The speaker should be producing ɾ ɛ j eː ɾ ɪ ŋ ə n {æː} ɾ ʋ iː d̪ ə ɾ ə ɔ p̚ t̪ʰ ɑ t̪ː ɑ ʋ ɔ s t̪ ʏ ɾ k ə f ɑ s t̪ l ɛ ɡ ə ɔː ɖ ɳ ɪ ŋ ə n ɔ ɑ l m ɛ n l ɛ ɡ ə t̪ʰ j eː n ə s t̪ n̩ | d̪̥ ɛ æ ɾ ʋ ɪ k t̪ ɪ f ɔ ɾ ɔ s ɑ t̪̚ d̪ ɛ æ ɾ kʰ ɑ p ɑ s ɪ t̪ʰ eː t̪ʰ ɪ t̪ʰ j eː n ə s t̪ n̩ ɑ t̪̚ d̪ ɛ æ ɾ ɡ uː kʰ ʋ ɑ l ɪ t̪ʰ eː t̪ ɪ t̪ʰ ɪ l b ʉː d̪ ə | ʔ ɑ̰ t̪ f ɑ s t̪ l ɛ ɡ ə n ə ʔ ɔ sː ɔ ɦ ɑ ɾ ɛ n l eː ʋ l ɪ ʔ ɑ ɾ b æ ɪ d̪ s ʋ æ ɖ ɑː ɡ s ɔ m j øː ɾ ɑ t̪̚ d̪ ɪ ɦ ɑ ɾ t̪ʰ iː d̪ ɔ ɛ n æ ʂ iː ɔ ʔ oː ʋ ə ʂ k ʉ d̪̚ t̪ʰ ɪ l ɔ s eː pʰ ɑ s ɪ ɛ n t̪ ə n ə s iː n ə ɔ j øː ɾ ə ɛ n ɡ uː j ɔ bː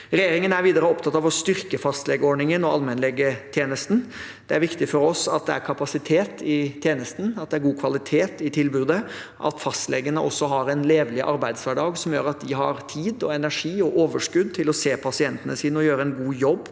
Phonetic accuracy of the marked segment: incorrect: æ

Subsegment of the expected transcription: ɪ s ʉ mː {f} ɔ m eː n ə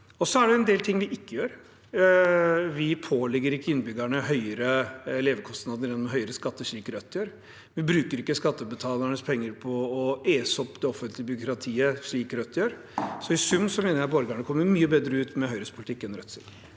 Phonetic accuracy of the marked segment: incorrect: s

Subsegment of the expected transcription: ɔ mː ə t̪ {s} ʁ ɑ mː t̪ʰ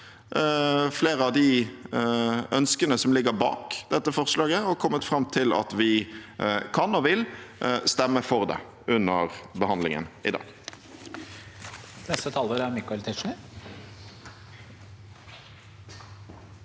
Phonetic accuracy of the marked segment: incorrect: f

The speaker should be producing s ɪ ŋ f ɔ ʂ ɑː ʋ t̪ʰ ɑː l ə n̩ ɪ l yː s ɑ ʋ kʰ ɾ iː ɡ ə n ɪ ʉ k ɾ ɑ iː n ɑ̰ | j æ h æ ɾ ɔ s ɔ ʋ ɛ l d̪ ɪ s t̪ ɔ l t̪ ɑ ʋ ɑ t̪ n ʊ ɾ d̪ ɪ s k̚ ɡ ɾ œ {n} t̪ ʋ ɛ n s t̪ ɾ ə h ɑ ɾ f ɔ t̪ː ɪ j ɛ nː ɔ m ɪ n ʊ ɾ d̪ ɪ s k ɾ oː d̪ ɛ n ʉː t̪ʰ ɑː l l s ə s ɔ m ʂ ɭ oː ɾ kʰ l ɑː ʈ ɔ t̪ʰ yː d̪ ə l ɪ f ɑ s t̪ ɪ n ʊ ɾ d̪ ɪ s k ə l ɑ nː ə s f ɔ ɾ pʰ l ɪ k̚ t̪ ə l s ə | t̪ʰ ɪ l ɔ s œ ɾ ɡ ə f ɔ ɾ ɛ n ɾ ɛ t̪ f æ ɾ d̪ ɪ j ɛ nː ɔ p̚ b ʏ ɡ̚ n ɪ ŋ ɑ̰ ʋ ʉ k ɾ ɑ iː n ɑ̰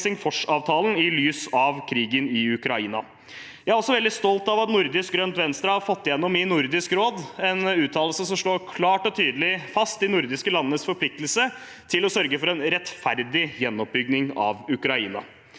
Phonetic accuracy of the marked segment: correct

